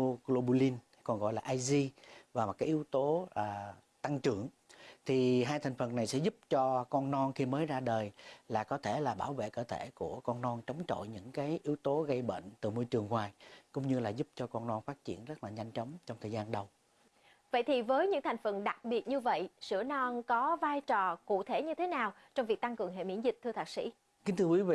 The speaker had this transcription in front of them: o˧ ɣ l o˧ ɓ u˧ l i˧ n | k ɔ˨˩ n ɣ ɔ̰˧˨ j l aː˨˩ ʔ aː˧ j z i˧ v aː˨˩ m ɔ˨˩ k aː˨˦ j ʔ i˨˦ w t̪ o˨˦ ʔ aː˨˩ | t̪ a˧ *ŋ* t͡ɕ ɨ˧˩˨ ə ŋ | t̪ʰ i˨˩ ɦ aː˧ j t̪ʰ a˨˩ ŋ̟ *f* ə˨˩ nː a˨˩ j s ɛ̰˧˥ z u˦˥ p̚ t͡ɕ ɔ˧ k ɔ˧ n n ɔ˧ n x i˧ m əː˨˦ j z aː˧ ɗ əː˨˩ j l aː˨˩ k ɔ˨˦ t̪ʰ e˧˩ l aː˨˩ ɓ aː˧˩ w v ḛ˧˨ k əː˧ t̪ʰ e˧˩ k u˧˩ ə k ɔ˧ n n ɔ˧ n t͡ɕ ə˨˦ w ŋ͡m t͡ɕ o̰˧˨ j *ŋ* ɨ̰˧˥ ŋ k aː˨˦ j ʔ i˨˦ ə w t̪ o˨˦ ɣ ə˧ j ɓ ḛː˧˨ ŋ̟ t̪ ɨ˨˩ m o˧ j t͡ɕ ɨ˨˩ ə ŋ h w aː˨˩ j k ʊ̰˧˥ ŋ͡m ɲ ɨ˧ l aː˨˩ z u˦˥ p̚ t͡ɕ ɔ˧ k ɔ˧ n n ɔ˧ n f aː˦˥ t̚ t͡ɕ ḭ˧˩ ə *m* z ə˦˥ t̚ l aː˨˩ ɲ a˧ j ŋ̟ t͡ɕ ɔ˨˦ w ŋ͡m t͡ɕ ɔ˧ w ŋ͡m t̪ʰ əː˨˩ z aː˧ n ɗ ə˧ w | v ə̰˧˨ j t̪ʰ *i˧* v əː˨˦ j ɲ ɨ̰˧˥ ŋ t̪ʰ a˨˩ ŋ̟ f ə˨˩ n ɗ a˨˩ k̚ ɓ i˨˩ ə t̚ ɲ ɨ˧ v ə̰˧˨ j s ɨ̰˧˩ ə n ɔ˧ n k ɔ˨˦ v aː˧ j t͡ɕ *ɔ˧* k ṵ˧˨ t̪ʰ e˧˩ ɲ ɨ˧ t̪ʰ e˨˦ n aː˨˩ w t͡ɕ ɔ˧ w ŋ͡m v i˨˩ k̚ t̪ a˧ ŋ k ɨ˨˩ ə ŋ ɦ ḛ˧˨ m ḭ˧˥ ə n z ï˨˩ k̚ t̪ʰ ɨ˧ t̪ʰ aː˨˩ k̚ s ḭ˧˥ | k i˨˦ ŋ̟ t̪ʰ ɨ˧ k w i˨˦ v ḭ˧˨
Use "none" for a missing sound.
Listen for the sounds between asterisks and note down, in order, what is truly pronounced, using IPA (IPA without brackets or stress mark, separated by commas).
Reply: ŋ, f, ɲ, n, i˨˩, ɔ˨˩